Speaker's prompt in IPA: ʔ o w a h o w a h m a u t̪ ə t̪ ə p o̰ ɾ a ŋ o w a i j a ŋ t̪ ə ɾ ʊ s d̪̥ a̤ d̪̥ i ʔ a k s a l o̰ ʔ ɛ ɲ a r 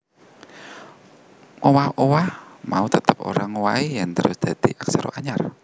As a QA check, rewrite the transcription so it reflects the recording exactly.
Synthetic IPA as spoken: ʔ o w a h o w a h m a u t̪ ə t̪ ə p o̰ ɾ a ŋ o w a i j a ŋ t̪ ə ɾ ʊ s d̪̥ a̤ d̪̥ i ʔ a k s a ɾ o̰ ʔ a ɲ a r